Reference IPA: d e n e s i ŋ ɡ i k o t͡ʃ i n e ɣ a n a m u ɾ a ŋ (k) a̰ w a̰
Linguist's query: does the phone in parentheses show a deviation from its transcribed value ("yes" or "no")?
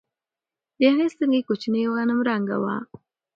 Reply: yes